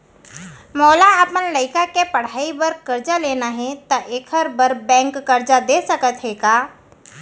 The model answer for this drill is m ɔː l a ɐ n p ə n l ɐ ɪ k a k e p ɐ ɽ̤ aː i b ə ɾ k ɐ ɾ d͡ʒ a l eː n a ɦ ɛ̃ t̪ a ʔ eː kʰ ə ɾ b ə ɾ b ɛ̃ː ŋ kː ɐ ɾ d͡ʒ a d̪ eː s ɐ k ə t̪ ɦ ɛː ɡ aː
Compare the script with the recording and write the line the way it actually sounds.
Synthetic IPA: m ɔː l a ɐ p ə n l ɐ ɪ k a k e p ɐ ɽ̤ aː i b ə ɾ k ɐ ɾ d͡ʒ a l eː n a ɦ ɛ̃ t̪ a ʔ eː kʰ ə ɾ b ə ɾ b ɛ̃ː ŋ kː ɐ ɾ d͡ʒ a d̪ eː s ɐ k ə t̪ ɦ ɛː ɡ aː

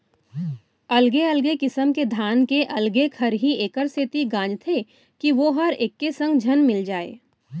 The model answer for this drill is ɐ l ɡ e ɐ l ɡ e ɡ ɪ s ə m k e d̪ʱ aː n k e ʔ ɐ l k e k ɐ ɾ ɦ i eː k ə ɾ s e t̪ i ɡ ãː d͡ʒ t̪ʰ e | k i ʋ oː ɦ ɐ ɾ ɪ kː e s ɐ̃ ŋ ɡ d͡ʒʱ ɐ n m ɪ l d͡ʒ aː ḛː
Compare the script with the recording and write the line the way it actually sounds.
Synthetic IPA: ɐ l ɡ e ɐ l ɡ e k ɪ s ə m k e d̪ʱ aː n k e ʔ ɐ l ɡ e kʰ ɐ ɾ ɦ i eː k ə ɾ s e t̪ i ɡ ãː d͡ʒ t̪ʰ e | k i ʋ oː ɦ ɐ ɾ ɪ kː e s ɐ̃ ŋ ɡ d͡ʒʱ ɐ n m ɪ l d͡ʒ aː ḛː

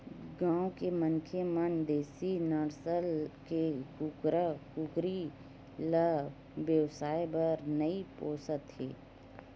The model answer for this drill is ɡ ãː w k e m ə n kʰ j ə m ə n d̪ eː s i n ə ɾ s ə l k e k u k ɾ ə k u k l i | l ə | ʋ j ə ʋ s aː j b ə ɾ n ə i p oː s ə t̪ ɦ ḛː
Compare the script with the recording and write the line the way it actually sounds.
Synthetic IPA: ɡ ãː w k e m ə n kʰ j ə m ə n d̪ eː s i n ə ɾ s ə l k e k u k ɾ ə k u k ɾ i | l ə | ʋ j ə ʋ s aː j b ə ɾ n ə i p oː s ə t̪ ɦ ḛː

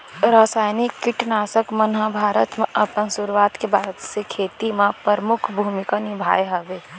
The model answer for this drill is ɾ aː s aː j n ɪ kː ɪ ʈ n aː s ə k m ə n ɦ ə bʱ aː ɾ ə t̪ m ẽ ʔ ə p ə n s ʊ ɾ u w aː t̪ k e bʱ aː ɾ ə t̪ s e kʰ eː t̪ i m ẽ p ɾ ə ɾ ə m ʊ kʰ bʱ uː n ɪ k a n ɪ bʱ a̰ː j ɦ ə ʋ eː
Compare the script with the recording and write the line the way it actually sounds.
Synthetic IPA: ɾ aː s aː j n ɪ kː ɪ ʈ n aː s ə k m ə n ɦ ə bʱ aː ɾ ə t̪ m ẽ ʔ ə p ə n s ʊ ɾ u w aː t̪ k e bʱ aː ɾ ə t̪ s e kʰ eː t̪ i m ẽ p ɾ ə ɾ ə m ʊ kʰ bʱ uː m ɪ k a n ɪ bʱ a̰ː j ɦ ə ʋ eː

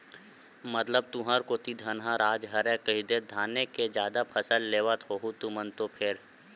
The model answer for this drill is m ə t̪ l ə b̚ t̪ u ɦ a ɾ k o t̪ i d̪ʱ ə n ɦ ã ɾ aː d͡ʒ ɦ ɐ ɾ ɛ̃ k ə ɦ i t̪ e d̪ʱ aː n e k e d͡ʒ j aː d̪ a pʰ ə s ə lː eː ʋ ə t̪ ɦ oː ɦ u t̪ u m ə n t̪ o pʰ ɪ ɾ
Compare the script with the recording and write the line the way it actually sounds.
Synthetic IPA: m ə t̪ l ə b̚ t̪ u ɦ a ɾ k o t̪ i d̪ʱ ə n ɦ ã ɾ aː d͡ʒ ɦ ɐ ɾ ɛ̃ k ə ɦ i d̪ e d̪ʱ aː n e k e d͡ʒ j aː d̪ a pʰ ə s ə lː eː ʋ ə t̪ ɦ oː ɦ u t̪ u m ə n t̪ o pʰ ɪ ɾ

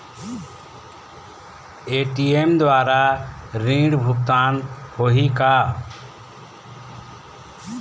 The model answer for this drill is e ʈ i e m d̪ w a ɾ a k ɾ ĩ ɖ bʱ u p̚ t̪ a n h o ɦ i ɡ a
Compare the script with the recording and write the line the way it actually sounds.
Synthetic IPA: e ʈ i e m d̪ w a ɾ a ɾ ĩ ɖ bʱ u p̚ t̪ a n h o ɦ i k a

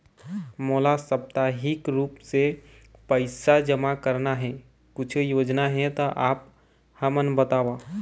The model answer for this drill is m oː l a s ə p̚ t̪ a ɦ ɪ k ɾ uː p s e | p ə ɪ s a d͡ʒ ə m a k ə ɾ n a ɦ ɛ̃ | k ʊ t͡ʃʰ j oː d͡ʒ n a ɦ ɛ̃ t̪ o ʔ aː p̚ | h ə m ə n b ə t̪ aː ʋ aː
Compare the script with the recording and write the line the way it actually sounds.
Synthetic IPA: m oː l a s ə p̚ t̪ a ɦ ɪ k ɾ uː p s e | p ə ɪ s a d͡ʒ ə m a k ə ɾ n a ɦ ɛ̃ | k ʊ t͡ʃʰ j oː d͡ʒ n a ɦ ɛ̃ t̪ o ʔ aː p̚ | h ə m ə n b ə t̪ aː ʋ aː

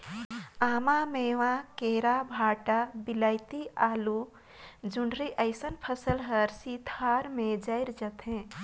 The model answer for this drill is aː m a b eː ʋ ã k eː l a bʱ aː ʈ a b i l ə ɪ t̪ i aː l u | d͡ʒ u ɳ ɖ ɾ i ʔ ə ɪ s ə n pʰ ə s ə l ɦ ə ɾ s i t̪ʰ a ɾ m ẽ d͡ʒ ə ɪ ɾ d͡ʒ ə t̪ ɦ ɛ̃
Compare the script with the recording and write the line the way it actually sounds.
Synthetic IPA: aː m a m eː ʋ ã k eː ɾ a bʱ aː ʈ a b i l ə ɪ t̪ i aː l u | d͡ʒ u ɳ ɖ ɾ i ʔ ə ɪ s ə n pʰ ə s ə l ɦ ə ɾ s i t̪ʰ a ɾ m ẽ d͡ʒ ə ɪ ɾ d͡ʒ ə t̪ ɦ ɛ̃

